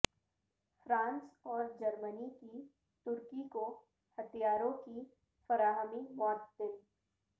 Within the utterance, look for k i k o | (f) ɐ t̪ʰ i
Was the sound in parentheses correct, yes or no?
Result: no